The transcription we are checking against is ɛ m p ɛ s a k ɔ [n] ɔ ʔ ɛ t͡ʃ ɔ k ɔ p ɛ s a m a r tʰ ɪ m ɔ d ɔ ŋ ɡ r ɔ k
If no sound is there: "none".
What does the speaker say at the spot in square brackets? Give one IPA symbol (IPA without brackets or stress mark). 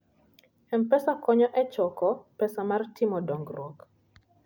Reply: ɲ